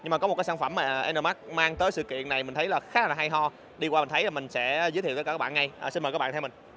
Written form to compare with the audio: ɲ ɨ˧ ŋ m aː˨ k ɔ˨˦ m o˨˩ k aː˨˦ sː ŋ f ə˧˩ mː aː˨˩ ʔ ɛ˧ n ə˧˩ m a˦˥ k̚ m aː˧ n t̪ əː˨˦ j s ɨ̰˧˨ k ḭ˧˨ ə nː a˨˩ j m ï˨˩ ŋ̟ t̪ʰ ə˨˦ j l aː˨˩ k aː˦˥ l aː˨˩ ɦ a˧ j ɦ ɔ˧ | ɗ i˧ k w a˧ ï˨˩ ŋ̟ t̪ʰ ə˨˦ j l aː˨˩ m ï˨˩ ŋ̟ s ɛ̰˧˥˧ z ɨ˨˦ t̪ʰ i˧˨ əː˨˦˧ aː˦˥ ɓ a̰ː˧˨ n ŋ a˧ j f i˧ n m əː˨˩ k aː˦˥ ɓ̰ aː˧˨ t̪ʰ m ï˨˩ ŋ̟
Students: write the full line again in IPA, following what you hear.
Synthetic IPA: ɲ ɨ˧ ŋ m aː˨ k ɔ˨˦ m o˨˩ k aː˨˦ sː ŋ f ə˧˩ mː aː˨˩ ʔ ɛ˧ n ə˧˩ m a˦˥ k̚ m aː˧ ŋ t̪ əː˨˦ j s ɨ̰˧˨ k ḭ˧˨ ə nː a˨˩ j m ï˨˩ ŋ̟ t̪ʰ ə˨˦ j l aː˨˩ x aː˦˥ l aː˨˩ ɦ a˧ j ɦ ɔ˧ | ɗ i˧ k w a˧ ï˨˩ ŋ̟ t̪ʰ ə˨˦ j l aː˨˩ m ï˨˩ ŋ̟ s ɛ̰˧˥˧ z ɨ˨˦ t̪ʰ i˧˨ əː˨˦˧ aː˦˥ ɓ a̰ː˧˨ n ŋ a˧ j s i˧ n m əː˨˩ k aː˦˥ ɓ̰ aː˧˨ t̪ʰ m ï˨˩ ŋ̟